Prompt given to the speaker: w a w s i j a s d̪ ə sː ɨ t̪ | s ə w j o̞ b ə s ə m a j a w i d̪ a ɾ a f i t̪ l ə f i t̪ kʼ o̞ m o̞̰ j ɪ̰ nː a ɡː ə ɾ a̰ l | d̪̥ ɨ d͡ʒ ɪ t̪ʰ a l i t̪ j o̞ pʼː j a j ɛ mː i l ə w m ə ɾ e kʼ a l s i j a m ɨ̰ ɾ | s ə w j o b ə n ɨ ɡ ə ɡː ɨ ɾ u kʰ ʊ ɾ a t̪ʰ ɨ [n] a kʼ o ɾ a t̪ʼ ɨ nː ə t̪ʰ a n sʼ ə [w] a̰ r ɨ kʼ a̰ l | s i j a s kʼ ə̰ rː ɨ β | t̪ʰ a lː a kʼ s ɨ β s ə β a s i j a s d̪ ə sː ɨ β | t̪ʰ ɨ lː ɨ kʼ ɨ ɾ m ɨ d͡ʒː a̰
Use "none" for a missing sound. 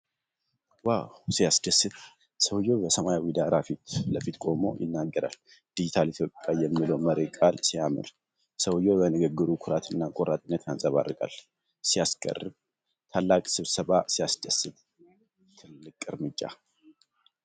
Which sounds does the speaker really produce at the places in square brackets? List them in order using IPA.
nː, β

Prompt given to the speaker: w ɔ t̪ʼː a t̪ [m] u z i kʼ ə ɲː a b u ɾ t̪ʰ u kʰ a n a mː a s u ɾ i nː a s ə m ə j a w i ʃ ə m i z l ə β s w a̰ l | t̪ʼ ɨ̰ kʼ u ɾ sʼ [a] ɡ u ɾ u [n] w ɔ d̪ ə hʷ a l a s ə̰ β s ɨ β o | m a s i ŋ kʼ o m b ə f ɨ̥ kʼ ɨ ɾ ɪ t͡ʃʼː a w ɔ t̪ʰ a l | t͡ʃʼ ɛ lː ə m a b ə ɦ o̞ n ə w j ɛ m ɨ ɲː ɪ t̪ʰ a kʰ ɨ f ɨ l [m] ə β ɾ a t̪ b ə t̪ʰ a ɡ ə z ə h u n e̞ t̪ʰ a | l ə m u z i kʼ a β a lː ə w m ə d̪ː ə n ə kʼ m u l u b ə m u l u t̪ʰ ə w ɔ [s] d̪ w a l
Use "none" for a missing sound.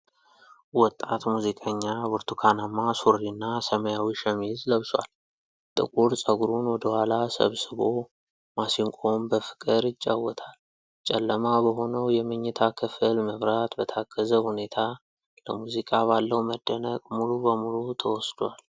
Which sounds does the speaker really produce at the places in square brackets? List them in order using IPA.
m, ə, n, m, s

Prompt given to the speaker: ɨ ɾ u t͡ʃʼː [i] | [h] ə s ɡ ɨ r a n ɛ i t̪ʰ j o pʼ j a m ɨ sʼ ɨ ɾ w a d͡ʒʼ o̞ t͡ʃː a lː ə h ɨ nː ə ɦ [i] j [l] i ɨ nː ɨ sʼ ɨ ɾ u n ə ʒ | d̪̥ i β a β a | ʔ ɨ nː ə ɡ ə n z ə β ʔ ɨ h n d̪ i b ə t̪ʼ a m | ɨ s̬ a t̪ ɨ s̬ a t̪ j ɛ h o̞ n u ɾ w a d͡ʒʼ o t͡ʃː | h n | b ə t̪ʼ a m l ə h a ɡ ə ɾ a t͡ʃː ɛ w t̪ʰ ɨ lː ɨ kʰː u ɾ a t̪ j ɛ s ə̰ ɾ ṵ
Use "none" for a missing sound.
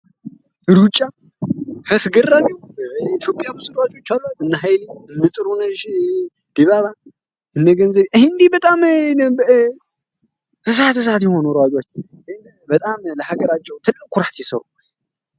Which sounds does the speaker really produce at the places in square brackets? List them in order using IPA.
a, h, a, l

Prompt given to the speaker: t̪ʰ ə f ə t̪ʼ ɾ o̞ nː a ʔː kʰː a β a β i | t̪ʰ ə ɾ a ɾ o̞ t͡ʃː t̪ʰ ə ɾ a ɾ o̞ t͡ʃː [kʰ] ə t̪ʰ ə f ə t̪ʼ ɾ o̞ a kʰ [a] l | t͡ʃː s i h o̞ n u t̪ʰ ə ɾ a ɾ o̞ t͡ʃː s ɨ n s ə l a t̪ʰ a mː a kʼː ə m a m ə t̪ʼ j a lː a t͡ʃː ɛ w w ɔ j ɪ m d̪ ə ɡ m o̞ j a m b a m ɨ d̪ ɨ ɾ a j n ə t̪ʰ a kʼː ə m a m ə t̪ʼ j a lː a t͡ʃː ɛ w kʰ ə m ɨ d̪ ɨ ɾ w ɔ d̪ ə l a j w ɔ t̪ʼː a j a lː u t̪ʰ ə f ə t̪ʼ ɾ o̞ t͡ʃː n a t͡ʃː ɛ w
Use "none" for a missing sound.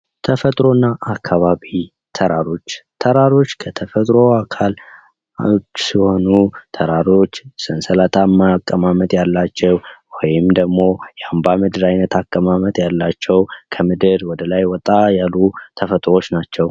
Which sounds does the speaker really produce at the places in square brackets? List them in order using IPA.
kʰ, a

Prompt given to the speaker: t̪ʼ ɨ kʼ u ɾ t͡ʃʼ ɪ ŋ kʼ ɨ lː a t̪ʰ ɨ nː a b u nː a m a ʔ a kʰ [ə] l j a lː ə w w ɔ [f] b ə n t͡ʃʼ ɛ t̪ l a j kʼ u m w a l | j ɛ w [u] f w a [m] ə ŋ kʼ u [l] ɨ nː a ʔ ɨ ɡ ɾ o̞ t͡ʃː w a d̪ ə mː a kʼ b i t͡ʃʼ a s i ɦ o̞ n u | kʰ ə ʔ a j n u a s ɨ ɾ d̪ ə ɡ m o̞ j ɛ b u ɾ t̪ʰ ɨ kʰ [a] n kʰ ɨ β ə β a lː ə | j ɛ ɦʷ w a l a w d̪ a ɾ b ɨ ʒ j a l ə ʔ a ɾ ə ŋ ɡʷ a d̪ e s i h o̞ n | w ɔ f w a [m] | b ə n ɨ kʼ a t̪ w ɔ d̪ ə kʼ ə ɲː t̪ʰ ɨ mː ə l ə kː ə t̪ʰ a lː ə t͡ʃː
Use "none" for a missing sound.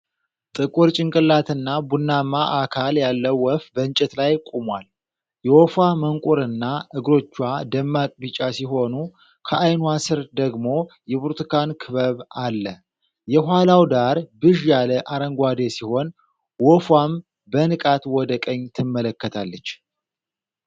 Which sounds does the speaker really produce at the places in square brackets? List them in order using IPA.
a, f, ɔ, m, ɾ, a, m

